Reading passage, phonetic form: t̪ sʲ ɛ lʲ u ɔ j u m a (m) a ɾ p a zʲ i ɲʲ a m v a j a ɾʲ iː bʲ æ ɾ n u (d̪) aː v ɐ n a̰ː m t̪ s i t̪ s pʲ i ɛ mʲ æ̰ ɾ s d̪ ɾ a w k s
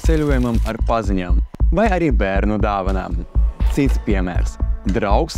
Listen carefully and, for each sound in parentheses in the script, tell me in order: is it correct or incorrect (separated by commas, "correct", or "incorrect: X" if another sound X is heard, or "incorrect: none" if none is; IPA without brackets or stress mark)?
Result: correct, correct